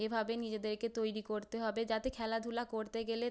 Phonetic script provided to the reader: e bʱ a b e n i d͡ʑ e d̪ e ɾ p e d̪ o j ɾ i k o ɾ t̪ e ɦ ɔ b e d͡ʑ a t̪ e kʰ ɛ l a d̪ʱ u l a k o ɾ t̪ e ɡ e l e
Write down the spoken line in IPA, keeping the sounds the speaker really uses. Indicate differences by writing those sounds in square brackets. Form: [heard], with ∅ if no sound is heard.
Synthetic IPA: e bʱ a b e n i d͡ʑ e d̪ e ɾ [k] e [t̪] o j ɾ i k o ɾ t̪ e ɦ ɔ b e d͡ʑ a t̪ e kʰ ɛ l a d̪ʱ u l a k o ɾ t̪ e ɡ e l e

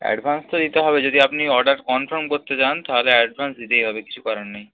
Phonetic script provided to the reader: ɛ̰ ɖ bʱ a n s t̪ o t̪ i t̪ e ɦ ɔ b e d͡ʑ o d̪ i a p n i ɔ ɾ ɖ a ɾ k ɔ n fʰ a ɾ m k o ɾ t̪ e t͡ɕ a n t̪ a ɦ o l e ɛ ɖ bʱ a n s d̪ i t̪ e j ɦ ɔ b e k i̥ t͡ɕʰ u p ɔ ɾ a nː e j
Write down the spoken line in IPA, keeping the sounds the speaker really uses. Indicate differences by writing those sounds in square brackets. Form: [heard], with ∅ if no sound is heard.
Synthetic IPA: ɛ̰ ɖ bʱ a n s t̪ o [d̪] i t̪ e ɦ ɔ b e d͡ʑ o d̪ i a p n i ɔ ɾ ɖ a ɾ k ɔ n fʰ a ɾ m k o ɾ t̪ e t͡ɕ a n t̪ a ɦ o l e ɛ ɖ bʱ a n s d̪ i t̪ e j ɦ ɔ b e k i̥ t͡ɕʰ u [k] ɔ ɾ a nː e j

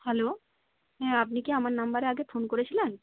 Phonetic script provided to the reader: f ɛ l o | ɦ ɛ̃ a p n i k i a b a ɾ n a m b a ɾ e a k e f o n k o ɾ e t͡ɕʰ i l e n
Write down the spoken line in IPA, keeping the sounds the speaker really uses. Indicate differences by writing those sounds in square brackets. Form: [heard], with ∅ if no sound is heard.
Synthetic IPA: [h] ɛ l o | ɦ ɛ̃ a p n i k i a [m] a ɾ n a m b a ɾ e a [ɡ] e f o n k o ɾ e t͡ɕʰ i l e n

